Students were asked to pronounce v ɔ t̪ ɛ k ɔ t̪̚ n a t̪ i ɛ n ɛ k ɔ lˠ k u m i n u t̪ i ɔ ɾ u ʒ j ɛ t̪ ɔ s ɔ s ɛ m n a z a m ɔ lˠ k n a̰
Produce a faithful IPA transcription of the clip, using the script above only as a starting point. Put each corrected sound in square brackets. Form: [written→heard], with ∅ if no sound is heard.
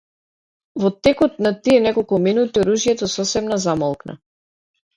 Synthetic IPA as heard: v ɔ t̪ ɛ k ɔ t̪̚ n a t̪ i ɛ n ɛ k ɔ lˠ k u m i n u t̪ i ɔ ɾ u ʒ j ɛ t̪ ɔ s ɔ s ɛ m n a z a m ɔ lˠ k n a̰